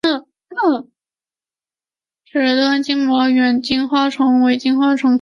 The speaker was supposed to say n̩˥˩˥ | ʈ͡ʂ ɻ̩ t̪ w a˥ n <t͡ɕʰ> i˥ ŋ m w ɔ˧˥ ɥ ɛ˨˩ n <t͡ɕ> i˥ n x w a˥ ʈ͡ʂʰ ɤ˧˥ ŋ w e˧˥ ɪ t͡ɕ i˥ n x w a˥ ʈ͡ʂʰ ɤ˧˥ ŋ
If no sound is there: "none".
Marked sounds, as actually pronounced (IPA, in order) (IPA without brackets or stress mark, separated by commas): t͡ɕ, t͡ɕ